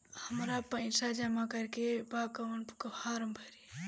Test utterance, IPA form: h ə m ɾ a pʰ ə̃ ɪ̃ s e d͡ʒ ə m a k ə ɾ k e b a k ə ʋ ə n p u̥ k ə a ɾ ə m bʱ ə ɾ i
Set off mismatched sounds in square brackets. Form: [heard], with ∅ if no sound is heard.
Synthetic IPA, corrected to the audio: h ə m ɾ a [p] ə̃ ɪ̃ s [a] d͡ʒ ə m a k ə ɾ k e b a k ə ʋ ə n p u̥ k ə a ɾ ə m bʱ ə ɾ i

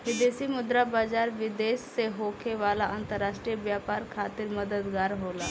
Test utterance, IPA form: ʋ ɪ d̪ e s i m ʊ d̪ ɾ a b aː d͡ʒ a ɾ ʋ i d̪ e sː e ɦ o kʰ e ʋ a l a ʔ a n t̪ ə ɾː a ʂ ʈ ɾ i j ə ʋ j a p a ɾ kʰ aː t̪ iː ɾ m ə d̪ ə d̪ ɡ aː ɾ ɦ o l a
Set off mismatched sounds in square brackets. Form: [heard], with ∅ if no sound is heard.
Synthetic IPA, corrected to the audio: ʋ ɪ d̪ e s i m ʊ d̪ ɾ a b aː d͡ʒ a ɾ ʋ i d̪ e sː e ɦ o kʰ e ʋ a l a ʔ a n t̪ ə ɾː a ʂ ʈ ɾ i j ə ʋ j a p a ɾ kʰ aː t̪ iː ɾ m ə d̪ ə d̪ ɡ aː ɾ ɦ o l a

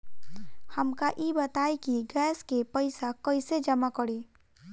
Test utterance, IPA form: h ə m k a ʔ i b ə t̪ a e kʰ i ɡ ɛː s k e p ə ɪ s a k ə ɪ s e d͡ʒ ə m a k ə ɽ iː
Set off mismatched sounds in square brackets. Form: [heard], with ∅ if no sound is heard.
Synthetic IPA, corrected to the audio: h ə m k a ʔ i b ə t̪ a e [k] i ɡ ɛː s k e p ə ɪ s a k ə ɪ s e d͡ʒ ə m a k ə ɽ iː

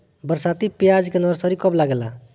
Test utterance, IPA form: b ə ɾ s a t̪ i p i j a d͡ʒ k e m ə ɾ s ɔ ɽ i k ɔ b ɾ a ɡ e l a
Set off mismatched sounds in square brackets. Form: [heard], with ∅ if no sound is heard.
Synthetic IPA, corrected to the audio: b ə ɾ s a t̪ i p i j a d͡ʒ k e [n] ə ɾ s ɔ [ɾ] i k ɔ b [l] a ɡ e l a

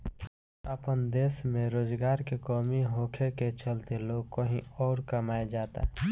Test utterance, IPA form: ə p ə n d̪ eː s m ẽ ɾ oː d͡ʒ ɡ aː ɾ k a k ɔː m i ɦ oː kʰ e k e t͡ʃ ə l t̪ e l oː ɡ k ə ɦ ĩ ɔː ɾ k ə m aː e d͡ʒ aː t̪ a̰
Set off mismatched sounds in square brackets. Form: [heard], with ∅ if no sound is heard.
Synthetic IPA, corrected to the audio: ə p ə n d̪ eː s m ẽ ɾ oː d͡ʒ ɡ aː ɾ k [e] k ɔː m i ɦ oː kʰ e k e t͡ʃ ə l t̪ e l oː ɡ k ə ɦ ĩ ɔː ɾ k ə m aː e d͡ʒ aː t̪ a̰

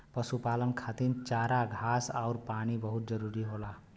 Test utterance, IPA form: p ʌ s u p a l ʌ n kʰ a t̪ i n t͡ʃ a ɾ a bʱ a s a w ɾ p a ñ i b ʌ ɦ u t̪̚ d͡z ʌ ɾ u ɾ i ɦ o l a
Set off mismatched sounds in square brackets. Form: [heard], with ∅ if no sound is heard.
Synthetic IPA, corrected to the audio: p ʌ s u p a l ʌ n kʰ a t̪ i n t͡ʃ a ɾ a [ɡʱ] a s a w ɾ p a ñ i b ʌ ɦ u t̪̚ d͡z ʌ ɾ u ɾ i ɦ o l a

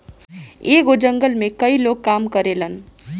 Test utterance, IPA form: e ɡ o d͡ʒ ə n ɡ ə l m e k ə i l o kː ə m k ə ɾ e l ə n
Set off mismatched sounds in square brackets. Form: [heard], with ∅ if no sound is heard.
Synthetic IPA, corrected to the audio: e ɡ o d͡ʒ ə [ŋ] ɡ ə l m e k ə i l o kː [a] m k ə ɾ e l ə n

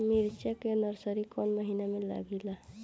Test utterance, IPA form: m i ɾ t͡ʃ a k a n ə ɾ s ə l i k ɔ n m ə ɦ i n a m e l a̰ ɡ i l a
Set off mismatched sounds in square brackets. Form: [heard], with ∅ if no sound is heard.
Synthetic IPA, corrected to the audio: m i ɾ t͡ʃ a k [e] n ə ɾ s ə [ɾ] i k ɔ n m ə ɦ i n a m e l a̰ ɡ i l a

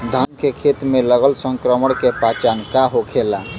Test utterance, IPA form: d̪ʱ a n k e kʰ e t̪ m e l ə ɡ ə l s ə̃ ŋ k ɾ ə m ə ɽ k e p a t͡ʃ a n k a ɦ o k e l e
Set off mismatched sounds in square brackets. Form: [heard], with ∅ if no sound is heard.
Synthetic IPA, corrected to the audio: d̪ʱ a n k e kʰ e t̪ m e l ə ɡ ə l s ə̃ ŋ k ɾ ə m ə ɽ k e p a t͡ʃ a n k a ɦ o [kʰ] e l [a]

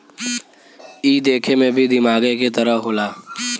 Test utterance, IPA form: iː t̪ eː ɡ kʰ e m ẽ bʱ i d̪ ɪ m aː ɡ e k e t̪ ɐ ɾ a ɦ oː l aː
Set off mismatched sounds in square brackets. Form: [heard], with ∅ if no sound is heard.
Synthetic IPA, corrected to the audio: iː [d̪] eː [∅] kʰ e m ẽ bʱ i d̪ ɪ m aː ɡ e k e t̪ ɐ ɾ [ə] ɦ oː l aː

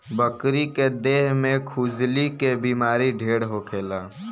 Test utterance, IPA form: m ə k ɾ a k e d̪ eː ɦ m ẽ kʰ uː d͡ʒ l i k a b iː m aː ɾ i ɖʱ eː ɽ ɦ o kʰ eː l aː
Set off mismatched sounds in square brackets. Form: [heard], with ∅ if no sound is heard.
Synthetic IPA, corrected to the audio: [b] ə k ɾ [i] k e d̪ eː ɦ m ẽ kʰ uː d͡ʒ l i k [e] b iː m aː ɾ i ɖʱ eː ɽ ɦ o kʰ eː l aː

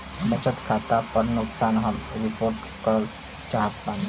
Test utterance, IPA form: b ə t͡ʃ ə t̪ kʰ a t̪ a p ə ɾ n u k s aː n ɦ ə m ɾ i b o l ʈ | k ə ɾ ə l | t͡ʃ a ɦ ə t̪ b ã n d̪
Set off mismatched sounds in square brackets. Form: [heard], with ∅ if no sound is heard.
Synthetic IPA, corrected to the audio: b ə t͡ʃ ə t̪ kʰ a t̪ a p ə ɾ n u k s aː n ɦ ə m ɾ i [p] o [ɾ] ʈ | k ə ɾ ə l | t͡ʃ a ɦ ə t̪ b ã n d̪

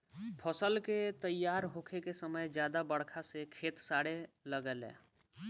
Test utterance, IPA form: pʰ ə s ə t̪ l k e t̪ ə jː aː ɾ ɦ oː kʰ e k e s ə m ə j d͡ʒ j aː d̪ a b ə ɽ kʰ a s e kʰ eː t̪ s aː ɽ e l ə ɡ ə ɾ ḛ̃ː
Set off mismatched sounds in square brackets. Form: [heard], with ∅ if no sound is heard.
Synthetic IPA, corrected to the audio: pʰ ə s ə [∅] l k e t̪ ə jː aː ɾ ɦ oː kʰ e k e s ə m ə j d͡ʒ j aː d̪ a b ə ɽ kʰ a s e kʰ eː t̪ s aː ɽ e l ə ɡ ə [l] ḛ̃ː

